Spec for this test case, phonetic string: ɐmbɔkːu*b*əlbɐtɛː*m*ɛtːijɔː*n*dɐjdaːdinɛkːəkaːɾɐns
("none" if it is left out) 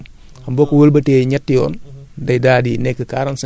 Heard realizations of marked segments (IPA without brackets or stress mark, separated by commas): w, ɲ, n